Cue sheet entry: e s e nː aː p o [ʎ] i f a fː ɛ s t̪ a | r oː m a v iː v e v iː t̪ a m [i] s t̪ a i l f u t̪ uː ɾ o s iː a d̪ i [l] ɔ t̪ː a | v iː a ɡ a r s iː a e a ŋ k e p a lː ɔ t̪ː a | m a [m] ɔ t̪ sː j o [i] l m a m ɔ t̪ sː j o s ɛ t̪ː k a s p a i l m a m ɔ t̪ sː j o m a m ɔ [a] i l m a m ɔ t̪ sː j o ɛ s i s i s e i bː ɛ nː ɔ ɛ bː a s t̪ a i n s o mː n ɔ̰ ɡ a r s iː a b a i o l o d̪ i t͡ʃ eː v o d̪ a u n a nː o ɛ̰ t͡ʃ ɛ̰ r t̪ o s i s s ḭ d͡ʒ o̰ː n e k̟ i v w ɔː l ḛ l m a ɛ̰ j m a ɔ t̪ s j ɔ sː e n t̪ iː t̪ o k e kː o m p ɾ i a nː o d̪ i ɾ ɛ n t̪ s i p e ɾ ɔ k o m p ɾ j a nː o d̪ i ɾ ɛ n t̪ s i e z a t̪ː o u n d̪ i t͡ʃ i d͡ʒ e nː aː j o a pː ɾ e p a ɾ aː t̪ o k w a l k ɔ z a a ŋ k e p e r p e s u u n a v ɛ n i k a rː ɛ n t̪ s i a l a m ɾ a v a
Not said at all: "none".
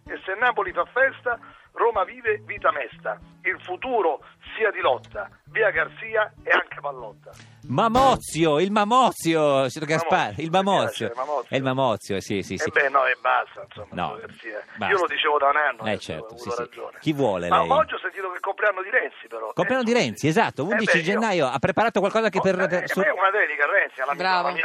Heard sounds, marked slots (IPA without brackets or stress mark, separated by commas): l, ɛ, l, m, i, ɛ